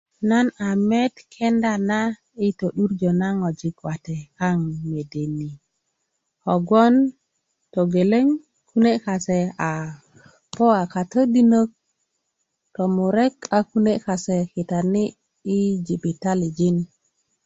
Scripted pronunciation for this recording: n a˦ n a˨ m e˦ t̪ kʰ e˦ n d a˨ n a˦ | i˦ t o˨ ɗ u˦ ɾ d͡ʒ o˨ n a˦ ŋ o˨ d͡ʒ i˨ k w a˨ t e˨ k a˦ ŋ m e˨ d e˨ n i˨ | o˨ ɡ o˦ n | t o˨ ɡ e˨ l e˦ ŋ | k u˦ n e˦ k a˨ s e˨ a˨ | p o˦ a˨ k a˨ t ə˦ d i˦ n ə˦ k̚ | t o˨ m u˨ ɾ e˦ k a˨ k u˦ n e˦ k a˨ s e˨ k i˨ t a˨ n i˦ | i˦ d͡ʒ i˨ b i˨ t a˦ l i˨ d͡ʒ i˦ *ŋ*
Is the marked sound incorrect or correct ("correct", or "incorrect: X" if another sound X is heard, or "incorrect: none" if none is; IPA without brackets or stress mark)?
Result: incorrect: n